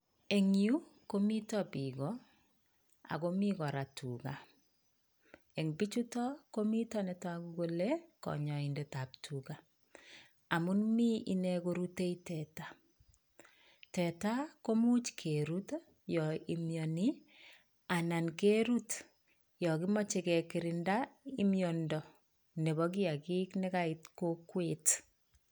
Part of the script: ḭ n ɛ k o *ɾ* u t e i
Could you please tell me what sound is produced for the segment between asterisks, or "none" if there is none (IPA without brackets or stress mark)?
ɾ